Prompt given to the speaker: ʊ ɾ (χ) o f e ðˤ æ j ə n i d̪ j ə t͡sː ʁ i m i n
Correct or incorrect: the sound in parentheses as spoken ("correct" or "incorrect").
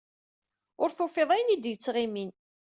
incorrect